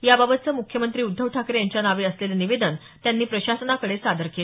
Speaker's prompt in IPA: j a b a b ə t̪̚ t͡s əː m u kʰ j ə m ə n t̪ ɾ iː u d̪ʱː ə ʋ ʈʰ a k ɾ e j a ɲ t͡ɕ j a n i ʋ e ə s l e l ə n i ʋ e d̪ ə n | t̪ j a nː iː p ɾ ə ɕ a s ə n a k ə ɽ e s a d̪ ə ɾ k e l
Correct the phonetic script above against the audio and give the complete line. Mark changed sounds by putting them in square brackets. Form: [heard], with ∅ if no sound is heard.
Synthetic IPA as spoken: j a b a b ə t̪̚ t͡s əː m u kʰ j ə m ə n t̪ ɾ iː u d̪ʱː ə ʋ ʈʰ a k ɾ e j a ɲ t͡ɕ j a n [a] ʋ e ə s l e l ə n i ʋ e d̪ ə n | t̪ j a nː iː p ɾ ə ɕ a s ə n a k ə ɽ e s a d̪ ə ɾ k e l